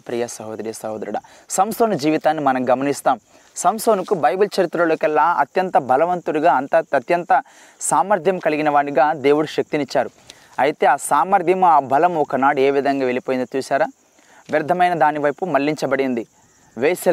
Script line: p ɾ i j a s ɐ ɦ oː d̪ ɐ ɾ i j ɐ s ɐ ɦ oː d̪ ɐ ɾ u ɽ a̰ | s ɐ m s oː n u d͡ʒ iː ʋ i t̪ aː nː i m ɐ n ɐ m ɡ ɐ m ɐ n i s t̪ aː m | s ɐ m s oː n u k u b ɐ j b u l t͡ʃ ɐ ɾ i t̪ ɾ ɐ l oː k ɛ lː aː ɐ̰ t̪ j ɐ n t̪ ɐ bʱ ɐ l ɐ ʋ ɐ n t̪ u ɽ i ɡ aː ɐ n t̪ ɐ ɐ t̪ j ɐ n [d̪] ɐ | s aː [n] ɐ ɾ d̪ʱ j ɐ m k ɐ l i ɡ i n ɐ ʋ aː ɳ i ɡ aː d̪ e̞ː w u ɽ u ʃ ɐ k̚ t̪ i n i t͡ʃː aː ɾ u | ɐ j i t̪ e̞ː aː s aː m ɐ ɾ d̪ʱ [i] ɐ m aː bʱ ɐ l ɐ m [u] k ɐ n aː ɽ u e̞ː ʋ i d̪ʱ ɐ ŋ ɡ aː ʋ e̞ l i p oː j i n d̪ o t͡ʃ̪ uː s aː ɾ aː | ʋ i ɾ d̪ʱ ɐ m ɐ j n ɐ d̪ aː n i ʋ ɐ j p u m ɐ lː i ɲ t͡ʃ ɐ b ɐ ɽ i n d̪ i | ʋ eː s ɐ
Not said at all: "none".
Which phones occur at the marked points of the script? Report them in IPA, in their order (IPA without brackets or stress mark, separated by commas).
t̪, m, j, ɔ